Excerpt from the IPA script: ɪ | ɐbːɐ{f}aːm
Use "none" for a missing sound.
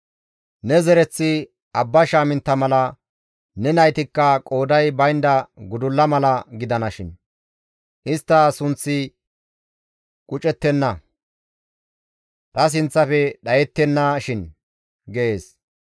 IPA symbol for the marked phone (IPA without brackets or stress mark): ʃ